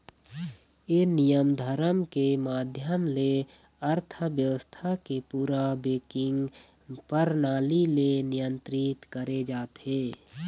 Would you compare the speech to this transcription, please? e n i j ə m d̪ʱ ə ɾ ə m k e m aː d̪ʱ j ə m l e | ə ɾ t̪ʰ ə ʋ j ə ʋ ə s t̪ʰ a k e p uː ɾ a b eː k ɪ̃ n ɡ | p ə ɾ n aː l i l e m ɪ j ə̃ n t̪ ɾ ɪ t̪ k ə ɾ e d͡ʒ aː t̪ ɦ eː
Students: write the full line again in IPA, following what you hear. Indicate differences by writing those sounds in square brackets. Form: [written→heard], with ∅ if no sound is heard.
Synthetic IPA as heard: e n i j ə m d̪ʱ ə ɾ ə m k e m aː d̪ʱ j ə m l e | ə ɾ t̪ʰ ə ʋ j ə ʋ ə s t̪ʰ a k e p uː ɾ a b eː k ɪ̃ [n→ŋ] ɡ | p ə ɾ n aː l i l e [m→n] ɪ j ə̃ n t̪ ɾ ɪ t̪ k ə ɾ e d͡ʒ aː t̪ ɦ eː